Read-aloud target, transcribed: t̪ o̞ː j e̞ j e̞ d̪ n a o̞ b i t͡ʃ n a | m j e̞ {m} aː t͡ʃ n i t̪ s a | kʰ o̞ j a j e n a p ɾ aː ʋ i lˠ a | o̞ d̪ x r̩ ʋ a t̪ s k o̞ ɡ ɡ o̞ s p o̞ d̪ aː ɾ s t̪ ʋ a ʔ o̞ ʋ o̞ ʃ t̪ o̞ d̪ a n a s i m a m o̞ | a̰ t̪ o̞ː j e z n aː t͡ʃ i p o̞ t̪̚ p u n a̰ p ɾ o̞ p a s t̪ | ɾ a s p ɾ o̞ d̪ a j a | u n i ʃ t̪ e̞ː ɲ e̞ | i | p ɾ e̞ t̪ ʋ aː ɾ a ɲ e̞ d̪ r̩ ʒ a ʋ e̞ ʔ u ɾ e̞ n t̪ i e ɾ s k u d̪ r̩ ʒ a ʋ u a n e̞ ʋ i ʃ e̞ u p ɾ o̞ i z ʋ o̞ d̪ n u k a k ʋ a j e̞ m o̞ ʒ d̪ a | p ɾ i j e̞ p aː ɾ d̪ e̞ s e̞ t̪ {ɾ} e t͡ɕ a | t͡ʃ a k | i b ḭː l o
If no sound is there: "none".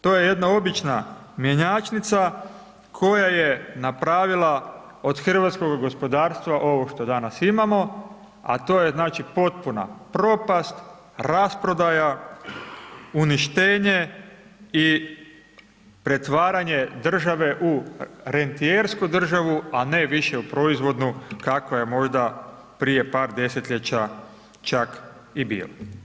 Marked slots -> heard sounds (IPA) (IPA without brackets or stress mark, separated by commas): ɲ, ʎ